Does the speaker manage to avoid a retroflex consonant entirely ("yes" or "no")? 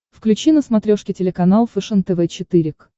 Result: no